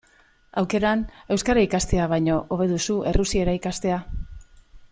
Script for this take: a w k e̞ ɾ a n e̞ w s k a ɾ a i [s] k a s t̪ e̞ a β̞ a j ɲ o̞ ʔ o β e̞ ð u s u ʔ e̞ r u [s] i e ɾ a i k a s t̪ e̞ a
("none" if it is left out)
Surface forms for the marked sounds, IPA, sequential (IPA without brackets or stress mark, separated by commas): none, s